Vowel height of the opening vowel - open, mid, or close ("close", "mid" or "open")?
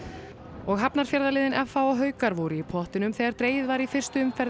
mid